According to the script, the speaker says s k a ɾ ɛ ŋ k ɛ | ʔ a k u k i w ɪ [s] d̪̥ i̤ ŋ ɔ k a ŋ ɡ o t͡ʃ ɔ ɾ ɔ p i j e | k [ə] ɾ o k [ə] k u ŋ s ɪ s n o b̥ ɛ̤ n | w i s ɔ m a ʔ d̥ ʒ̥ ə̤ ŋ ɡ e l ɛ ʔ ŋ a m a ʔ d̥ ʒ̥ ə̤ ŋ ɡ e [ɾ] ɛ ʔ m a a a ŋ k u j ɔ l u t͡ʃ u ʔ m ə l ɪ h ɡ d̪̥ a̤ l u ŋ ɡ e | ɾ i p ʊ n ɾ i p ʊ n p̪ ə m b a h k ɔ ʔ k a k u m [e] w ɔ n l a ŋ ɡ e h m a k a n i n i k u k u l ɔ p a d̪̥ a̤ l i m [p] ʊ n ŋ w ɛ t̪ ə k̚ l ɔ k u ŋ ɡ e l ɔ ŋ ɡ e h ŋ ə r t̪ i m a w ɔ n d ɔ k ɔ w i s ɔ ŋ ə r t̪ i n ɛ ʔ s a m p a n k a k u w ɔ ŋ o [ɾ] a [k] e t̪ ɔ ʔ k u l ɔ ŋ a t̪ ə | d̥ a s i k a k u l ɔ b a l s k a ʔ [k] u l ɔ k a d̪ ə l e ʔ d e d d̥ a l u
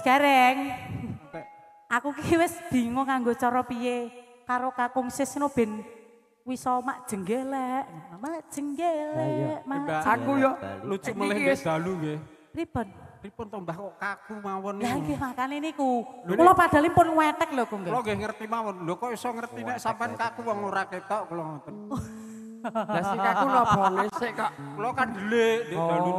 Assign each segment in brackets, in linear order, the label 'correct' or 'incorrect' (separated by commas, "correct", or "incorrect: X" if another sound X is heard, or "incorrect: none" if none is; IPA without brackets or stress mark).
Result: correct, incorrect: a, incorrect: a, incorrect: l, incorrect: a, correct, correct, correct, correct